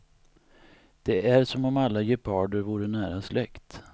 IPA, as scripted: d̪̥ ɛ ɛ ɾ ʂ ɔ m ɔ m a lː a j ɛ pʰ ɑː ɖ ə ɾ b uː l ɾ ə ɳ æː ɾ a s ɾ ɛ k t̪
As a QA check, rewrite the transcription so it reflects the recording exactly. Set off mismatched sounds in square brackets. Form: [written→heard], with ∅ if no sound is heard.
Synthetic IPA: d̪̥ ɛ [ɛ→æ] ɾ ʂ ɔ m ɔ m a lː a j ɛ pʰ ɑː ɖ ə ɾ [b→v] uː [l→∅] ɾ ə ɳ æː ɾ a s [ɾ→l] ɛ k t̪